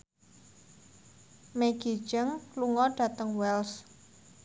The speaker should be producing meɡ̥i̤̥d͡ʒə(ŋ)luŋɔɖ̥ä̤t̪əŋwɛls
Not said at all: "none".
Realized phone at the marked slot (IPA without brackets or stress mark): ŋ